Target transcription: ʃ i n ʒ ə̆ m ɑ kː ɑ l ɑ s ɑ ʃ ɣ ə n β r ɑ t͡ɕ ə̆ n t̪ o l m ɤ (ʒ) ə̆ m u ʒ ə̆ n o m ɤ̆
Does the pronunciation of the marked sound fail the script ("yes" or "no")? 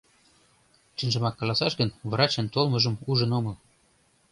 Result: no